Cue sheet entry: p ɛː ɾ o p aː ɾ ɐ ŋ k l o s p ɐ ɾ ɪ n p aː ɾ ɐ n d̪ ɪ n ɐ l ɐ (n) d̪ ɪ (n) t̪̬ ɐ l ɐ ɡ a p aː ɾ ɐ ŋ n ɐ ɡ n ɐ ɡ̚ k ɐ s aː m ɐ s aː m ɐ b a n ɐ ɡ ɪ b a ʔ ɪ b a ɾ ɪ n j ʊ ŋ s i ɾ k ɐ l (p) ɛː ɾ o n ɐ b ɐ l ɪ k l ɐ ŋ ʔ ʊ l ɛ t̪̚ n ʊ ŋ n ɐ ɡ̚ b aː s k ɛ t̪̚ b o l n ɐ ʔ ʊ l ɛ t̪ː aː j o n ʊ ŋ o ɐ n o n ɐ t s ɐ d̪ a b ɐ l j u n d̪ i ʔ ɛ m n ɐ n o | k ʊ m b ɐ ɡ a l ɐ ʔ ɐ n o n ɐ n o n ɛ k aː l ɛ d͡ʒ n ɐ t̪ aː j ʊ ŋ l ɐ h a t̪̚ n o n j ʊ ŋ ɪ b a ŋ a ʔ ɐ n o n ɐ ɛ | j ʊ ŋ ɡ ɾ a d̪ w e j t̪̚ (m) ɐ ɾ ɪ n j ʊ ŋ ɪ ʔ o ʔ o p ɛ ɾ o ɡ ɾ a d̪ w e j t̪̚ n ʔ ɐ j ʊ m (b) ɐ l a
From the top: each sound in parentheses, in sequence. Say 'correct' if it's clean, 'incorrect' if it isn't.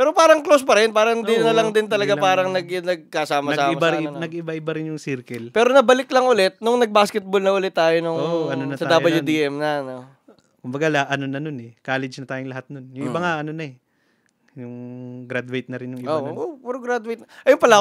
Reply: incorrect: ŋ, correct, correct, incorrect: n, incorrect: p

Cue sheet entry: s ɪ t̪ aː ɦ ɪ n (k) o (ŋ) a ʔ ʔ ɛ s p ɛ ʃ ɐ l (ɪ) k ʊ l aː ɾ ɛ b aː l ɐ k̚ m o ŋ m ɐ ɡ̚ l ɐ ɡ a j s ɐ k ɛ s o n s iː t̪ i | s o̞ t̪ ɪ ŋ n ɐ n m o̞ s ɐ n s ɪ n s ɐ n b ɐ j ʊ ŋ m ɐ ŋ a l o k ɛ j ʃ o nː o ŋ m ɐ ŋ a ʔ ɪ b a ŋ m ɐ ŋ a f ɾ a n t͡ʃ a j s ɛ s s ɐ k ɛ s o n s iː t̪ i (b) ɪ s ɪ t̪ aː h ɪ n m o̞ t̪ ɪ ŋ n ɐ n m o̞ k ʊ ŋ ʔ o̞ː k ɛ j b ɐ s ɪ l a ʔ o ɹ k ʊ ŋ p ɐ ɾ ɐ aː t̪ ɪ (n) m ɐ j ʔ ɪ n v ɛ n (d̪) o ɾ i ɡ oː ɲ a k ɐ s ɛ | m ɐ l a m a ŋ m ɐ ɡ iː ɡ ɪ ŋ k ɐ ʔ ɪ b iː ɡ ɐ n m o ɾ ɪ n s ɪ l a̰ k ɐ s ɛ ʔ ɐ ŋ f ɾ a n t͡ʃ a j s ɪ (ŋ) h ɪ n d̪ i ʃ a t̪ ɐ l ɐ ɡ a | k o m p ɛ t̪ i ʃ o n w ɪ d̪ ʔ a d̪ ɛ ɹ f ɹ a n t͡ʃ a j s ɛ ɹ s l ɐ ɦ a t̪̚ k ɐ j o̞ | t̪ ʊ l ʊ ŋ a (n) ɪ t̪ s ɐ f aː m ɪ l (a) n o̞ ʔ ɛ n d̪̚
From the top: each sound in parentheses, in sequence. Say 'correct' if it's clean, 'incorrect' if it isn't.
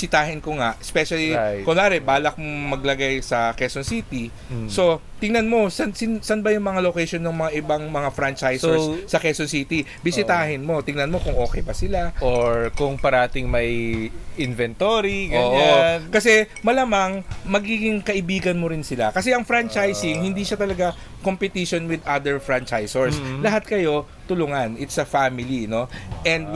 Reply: correct, correct, incorrect: i, correct, incorrect: ŋ, incorrect: t̪, correct, correct, incorrect: i

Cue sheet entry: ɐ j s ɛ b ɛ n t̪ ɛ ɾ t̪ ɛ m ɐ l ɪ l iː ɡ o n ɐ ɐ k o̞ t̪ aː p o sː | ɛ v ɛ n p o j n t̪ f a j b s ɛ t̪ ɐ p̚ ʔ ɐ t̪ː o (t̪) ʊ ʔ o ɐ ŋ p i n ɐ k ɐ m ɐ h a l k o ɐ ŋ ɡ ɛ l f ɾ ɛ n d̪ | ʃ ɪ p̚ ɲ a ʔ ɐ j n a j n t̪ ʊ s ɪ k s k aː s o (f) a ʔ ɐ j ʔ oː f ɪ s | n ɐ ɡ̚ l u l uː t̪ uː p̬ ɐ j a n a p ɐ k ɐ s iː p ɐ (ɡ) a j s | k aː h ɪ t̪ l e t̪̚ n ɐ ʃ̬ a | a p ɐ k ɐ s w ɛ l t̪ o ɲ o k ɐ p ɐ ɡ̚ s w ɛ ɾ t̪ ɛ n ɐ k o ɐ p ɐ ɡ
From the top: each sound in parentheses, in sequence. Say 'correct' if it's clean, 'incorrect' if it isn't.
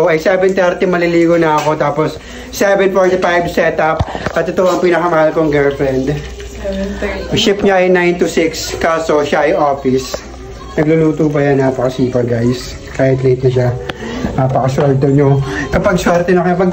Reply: correct, incorrect: ʃ, correct

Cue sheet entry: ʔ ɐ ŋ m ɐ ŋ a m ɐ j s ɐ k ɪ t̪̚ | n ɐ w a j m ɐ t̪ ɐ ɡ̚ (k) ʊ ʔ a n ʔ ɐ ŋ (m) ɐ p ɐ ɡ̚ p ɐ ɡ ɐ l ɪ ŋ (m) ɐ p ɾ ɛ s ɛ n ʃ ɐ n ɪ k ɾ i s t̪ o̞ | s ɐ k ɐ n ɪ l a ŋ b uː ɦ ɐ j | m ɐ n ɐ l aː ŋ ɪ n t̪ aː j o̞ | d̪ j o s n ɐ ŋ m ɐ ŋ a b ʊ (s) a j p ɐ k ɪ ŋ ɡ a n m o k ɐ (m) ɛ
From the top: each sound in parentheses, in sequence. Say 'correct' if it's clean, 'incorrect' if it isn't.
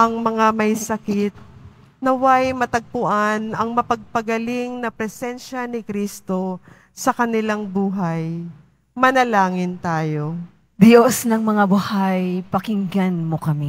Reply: incorrect: p, correct, incorrect: n, incorrect: h, correct

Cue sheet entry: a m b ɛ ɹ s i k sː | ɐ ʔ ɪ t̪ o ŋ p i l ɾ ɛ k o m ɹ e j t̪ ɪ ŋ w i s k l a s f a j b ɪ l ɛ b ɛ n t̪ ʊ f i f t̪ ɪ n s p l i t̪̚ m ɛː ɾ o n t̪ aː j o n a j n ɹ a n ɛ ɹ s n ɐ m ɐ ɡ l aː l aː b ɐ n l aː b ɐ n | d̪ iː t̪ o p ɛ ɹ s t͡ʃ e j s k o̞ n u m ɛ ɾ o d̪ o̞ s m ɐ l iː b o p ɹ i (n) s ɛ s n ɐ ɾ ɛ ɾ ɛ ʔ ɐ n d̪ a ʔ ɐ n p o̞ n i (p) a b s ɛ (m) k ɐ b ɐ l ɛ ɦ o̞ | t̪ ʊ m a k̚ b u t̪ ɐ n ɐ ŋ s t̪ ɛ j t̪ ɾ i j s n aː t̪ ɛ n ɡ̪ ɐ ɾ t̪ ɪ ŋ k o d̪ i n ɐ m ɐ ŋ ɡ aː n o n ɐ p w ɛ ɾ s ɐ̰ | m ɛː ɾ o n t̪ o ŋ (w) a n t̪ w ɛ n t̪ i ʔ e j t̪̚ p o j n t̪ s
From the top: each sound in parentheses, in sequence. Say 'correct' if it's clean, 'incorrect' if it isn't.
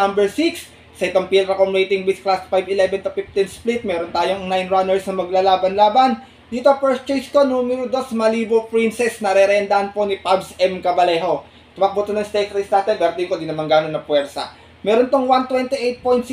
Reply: correct, correct, correct, correct

